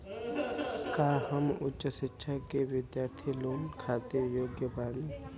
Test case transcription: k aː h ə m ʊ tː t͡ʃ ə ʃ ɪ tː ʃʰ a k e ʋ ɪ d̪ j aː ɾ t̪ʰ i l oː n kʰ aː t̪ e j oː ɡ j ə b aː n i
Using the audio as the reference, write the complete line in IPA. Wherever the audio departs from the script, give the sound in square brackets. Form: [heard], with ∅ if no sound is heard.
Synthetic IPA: k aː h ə m ʊ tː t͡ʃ ə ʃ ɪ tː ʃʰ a k e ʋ ɪ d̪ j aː ɾ t̪ʰ i l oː n kʰ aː t̪ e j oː ɡ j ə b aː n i